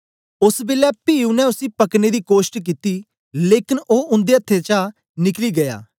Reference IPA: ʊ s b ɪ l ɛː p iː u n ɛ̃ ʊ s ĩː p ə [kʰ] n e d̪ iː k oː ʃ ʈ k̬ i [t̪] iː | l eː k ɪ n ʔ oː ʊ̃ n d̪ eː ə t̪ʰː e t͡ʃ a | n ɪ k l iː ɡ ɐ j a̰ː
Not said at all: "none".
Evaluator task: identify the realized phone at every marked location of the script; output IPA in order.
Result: k, t̪

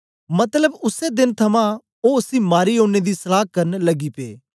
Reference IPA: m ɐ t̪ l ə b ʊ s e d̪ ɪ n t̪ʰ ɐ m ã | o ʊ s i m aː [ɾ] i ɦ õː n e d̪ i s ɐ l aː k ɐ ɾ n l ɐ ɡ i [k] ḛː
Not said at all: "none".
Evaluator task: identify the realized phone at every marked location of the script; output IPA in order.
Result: ɾ, p

